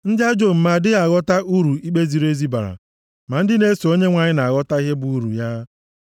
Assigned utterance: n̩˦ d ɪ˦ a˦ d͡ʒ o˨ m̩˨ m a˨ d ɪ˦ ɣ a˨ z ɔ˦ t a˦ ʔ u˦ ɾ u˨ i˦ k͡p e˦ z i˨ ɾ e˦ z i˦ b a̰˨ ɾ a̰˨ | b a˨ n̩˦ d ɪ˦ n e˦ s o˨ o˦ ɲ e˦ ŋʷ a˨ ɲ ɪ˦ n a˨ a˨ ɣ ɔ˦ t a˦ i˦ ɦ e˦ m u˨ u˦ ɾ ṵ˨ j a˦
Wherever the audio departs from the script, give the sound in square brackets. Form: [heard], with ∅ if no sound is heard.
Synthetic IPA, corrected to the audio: n̩˦ d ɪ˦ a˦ d͡ʒ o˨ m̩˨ m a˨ d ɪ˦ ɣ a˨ [ɣ] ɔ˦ t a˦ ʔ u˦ ɾ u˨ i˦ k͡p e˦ z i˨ ɾ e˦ z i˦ b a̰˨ ɾ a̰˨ | [m] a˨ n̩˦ d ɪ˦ n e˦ s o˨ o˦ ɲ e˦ ŋʷ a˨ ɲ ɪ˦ n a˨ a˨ ɣ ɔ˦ t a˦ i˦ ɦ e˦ [b] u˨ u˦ ɾ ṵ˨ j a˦